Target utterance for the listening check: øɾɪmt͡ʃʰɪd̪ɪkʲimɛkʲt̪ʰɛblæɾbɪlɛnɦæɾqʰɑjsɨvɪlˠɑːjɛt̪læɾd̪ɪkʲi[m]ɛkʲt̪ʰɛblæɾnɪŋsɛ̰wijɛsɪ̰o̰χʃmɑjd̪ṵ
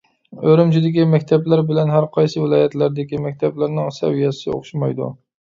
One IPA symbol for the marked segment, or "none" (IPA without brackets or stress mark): m